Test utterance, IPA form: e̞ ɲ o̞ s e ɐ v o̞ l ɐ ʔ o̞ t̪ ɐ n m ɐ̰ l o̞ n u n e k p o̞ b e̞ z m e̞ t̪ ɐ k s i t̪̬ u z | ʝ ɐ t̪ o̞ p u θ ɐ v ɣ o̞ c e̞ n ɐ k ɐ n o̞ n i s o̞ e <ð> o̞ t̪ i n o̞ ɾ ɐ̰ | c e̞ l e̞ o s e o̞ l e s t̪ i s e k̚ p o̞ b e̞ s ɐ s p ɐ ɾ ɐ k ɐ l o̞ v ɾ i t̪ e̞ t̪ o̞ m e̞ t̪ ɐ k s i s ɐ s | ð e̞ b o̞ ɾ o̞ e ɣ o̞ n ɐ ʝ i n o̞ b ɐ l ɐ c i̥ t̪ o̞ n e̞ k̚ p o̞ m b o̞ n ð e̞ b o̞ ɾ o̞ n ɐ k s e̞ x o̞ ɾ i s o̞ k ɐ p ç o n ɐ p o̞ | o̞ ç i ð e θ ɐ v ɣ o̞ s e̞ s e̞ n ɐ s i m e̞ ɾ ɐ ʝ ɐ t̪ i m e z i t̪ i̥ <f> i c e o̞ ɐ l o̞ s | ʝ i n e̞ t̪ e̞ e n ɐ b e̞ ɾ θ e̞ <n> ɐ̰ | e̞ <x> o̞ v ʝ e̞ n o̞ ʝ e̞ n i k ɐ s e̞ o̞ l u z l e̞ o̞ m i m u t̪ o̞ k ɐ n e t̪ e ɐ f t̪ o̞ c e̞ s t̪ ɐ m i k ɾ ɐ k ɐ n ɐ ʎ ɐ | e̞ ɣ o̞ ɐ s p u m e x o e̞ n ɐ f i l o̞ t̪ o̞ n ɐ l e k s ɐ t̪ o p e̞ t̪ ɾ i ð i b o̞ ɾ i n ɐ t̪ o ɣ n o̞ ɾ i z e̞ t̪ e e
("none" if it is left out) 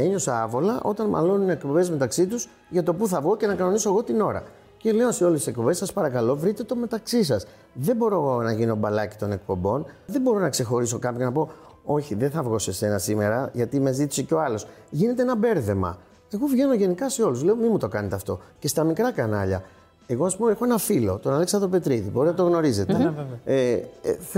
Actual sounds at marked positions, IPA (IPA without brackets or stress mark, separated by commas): ɣ, s, m, ɣ